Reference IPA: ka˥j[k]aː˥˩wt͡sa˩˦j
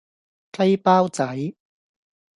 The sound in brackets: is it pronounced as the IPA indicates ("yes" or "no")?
no